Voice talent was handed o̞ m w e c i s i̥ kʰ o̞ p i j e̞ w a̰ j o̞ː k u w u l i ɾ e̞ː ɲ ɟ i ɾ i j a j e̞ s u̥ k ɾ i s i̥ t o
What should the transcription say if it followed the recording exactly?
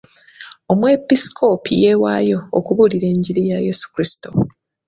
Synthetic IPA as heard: o̞ m w e p i s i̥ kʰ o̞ p i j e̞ w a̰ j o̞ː k u β u l i ɾ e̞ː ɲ ɟ i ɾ i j a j e̞ s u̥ k ɾ i s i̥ t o